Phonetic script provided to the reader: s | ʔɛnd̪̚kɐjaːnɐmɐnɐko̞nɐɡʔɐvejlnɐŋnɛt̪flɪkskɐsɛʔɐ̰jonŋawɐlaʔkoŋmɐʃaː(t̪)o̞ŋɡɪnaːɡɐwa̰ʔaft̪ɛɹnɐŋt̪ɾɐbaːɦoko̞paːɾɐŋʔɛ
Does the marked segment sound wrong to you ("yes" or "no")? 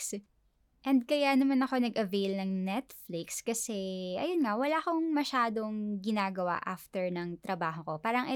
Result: yes